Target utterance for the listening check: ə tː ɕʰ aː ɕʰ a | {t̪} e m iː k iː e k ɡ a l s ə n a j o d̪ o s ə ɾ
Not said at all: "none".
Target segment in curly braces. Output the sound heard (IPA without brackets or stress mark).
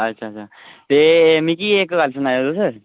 t̪